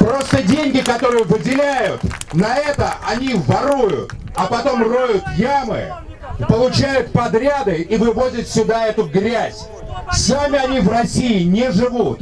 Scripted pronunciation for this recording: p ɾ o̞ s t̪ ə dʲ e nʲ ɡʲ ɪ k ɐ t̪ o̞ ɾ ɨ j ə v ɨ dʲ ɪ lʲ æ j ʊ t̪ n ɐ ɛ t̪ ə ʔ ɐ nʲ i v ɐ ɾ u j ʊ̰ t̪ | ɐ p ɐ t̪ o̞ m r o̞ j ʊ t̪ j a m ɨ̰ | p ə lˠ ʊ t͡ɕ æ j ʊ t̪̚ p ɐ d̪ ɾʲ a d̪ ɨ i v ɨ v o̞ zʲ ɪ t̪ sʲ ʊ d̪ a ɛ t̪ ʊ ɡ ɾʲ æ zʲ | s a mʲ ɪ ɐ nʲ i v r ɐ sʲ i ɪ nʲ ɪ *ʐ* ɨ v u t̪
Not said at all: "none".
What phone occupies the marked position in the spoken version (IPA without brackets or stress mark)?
ʐ